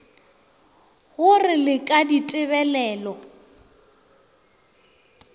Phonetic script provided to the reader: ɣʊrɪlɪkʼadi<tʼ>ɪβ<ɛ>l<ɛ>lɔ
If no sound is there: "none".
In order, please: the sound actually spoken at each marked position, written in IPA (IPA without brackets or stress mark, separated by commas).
tʼ, ɛ, ɛː